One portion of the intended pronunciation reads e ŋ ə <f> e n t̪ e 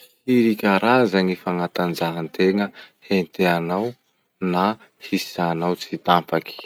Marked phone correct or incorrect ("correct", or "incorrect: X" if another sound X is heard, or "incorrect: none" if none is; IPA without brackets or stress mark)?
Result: incorrect: h